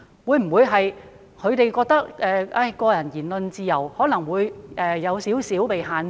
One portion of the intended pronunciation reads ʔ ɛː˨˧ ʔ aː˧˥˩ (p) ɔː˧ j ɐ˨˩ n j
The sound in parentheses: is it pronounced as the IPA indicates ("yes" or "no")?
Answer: no